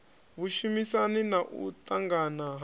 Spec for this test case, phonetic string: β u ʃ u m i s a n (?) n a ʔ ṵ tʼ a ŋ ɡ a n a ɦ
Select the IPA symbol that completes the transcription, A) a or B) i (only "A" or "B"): B